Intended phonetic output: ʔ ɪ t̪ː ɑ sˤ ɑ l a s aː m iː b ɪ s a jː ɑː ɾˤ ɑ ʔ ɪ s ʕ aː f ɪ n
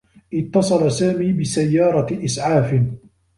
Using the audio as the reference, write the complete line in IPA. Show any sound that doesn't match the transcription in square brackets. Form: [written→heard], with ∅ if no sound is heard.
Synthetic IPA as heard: ʔ ɪ t̪ː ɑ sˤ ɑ l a s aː m iː b ɪ s a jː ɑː ɾˤ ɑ ʔ ɪ s ʕ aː f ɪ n

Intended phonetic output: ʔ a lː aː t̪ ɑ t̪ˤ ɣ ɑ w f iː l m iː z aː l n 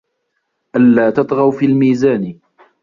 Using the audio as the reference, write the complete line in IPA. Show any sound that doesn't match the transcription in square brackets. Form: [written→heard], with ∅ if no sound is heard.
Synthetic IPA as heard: ʔ a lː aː t̪ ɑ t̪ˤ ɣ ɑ w f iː l m iː z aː [l→∅] n

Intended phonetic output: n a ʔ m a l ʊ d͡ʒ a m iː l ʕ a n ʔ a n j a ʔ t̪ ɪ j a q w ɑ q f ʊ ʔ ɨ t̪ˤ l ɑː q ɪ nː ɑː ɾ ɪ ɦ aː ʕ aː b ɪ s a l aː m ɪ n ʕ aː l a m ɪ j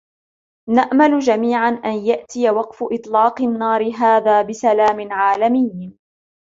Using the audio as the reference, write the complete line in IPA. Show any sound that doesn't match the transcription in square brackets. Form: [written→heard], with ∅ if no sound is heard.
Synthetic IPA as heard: n a ʔ m a l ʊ d͡ʒ a m iː [l→∅] ʕ a n ʔ a n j a ʔ t̪ ɪ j a [q→∅] w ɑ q f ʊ ʔ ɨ t̪ˤ l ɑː q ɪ nː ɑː ɾ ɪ ɦ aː [ʕ→ð] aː b ɪ s a l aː m ɪ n ʕ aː l a m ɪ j

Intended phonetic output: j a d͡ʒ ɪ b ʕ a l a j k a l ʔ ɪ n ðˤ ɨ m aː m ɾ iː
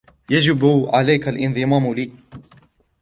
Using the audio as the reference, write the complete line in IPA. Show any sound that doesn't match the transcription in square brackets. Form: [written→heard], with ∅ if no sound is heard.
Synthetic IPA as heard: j a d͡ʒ ɪ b ʕ a l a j k a l ʔ ɪ n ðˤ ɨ m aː m [ɾ→l] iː

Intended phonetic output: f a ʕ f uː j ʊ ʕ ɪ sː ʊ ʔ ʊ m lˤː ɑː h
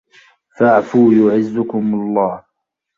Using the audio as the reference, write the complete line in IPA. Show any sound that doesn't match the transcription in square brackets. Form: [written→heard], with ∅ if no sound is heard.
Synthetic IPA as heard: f a ʕ f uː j ʊ ʕ ɪ [sː→zː] ʊ [ʔ→k] ʊ m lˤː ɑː h

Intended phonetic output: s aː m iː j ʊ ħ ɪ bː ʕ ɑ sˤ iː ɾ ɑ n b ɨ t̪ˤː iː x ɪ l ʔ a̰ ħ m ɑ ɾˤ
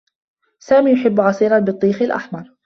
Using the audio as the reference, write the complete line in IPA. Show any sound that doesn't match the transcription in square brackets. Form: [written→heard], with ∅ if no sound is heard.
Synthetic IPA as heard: s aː m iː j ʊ ħ ɪ bː ʕ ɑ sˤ iː ɾ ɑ n b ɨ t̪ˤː iː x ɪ l ʔ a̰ ħ m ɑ ɾˤ

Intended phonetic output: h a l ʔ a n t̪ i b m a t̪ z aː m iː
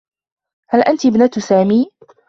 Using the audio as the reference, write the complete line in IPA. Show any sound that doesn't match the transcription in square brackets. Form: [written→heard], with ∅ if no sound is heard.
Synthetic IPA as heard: h a l ʔ a n t̪ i b [m→n] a t̪ [z→s] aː m iː

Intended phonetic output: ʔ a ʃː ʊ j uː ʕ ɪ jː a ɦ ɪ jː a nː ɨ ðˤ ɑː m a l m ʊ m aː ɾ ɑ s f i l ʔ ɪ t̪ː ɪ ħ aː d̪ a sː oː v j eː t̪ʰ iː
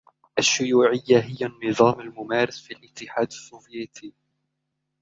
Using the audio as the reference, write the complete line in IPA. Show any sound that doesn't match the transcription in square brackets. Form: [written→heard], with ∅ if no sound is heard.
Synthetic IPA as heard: ʔ a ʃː ʊ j uː ʕ ɪ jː a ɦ ɪ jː a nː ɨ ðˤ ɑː m a l m ʊ m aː ɾ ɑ s f i l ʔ ɪ t̪ː ɪ ħ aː d̪ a sː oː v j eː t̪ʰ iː

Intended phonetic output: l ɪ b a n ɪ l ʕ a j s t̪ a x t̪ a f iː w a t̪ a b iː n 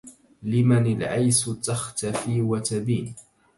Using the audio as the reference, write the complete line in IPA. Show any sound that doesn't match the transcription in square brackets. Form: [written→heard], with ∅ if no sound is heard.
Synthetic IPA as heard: l ɪ [b→m] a n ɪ l ʕ a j s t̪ a x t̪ a f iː w a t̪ a b iː n

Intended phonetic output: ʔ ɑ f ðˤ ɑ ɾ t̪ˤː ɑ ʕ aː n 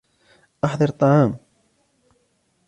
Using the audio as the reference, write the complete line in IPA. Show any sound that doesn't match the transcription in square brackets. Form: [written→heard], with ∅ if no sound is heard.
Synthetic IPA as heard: ʔ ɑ [f→ħ] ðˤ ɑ ɾ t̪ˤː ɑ ʕ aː [n→m]

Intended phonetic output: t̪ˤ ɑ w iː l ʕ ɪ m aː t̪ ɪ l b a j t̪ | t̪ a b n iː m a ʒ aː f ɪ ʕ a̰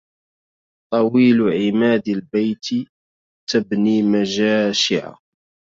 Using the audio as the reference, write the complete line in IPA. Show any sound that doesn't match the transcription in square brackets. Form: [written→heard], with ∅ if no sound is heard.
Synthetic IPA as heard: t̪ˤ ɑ w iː l ʕ ɪ m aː [t̪→d̪] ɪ l b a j t̪ | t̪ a b n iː m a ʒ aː [f→ʃ] ɪ ʕ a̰

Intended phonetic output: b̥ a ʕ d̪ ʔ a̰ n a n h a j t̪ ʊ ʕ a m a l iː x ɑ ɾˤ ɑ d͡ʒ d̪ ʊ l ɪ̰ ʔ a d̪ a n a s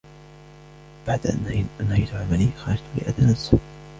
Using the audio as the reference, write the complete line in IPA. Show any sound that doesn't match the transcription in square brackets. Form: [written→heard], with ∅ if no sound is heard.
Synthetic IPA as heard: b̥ a ʕ d̪ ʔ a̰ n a n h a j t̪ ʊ ʕ a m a l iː x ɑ ɾˤ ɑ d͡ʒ [d̪→t̪] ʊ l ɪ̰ ʔ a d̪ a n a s

